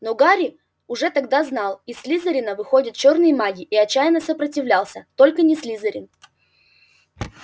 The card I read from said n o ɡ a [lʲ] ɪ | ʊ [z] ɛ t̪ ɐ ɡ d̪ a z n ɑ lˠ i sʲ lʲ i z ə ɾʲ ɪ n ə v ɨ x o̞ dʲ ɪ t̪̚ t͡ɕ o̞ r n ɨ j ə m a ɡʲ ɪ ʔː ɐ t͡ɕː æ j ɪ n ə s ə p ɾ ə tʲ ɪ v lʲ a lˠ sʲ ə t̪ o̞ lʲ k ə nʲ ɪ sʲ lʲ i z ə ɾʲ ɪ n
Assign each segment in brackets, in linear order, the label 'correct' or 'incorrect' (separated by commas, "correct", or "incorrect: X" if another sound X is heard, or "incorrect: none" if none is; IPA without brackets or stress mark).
incorrect: ɾʲ, incorrect: ʐ